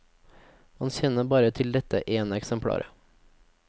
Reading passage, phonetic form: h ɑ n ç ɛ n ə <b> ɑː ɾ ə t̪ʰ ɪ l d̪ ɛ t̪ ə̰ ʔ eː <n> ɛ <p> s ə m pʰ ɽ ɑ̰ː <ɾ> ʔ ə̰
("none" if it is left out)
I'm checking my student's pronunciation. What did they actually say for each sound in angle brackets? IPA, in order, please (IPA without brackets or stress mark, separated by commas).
b, n, k, ɾ